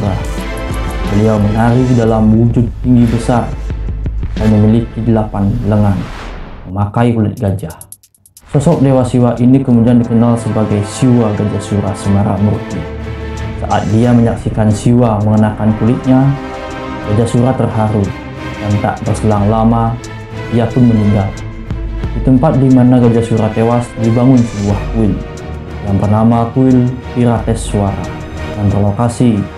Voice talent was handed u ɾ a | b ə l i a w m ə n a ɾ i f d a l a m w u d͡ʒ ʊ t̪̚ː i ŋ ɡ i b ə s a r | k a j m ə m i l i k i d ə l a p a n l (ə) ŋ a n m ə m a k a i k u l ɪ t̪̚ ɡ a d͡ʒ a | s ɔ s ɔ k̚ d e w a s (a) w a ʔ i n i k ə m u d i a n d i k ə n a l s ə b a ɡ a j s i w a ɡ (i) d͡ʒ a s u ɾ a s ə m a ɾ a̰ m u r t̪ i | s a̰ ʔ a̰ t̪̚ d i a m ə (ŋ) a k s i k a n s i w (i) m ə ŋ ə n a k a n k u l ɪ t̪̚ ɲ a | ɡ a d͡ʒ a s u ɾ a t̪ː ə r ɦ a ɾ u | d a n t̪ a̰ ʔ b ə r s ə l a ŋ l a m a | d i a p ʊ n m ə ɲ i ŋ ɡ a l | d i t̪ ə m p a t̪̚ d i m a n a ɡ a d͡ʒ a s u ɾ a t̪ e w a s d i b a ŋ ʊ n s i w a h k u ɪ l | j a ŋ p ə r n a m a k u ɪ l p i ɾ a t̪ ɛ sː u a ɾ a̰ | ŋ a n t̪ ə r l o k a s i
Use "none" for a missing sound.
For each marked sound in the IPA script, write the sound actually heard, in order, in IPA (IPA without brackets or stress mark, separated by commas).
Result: ə, i, a, ɲ, a